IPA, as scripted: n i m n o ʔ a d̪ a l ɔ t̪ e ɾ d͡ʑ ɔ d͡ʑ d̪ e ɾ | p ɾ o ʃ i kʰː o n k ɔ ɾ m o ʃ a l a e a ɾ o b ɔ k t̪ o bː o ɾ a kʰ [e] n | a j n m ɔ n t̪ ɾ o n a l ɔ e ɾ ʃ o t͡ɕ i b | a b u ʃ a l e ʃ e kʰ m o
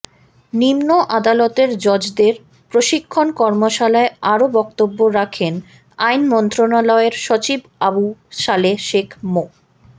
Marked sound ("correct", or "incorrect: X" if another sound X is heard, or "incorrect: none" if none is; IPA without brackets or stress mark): correct